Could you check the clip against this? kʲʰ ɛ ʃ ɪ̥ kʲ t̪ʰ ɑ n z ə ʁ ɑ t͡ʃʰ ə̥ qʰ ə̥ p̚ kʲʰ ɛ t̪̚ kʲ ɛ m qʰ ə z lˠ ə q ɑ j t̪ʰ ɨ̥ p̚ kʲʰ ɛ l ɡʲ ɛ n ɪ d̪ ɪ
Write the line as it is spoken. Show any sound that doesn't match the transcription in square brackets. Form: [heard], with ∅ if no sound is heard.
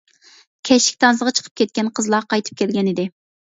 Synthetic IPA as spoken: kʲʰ ɛ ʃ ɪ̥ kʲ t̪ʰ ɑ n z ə ʁ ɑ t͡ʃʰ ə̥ qʰ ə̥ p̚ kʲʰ ɛ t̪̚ kʲ ɛ [n] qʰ ə z lˠ [ɑ] q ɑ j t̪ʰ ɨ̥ p̚ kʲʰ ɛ l ɡʲ ɛ n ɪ d̪ ɪ